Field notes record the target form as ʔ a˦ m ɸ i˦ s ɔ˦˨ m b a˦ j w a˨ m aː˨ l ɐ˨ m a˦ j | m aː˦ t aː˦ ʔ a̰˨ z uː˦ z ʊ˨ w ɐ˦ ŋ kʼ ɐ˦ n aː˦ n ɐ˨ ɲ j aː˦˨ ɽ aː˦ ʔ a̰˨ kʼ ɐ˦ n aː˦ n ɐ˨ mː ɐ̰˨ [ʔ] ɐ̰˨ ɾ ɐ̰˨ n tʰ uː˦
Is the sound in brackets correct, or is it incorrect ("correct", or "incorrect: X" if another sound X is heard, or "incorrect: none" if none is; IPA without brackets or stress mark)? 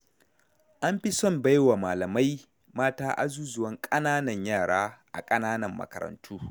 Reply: incorrect: k